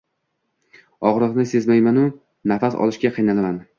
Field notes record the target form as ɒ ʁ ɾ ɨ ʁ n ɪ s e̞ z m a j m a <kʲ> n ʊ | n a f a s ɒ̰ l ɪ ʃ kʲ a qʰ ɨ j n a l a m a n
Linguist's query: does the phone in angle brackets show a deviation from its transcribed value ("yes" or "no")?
yes